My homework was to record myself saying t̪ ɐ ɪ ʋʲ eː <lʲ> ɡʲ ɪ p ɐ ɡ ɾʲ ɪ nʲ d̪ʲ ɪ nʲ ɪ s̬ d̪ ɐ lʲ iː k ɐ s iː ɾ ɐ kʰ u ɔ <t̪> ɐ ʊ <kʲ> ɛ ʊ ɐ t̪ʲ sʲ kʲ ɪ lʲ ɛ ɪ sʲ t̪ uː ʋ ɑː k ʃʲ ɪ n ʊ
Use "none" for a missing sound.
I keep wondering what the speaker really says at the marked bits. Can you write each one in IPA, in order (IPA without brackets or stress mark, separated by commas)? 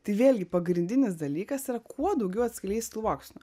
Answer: lʲ, d̪, ɡʲ